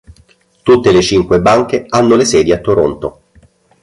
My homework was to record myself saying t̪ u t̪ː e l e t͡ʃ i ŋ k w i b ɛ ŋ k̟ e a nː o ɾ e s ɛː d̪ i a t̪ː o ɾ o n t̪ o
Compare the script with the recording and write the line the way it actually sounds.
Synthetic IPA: t̪ u t̪ː e l e t͡ʃ i ŋ k w e b a ŋ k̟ e a nː o l e s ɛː d̪ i a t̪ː o ɾ o n t̪ o